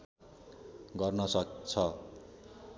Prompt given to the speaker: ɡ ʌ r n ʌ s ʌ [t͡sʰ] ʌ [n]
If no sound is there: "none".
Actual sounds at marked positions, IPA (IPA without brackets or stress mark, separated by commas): t͡sʰ, none